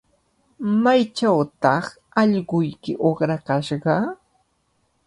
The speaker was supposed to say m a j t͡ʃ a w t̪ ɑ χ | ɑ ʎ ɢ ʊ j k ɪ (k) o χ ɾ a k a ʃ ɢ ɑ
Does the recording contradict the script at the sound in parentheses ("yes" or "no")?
yes